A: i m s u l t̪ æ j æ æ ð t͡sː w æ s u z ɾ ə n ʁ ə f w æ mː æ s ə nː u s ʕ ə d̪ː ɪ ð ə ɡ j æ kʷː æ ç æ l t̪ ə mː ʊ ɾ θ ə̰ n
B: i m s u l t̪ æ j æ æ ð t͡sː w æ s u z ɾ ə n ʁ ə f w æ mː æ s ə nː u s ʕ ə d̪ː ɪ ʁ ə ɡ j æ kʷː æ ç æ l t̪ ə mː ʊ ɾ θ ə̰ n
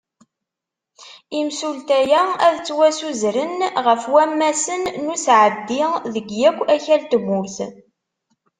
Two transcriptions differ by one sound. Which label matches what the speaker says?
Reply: A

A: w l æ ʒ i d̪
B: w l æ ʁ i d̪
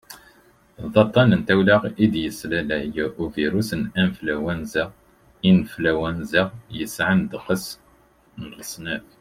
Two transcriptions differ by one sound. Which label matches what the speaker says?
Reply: B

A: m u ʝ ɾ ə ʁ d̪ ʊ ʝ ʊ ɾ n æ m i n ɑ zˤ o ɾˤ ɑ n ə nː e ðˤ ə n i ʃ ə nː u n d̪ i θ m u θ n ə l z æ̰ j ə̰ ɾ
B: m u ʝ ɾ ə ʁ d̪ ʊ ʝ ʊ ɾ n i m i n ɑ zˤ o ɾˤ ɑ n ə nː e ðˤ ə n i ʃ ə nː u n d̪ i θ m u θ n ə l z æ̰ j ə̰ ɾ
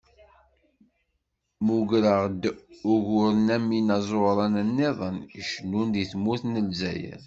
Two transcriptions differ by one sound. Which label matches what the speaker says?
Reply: A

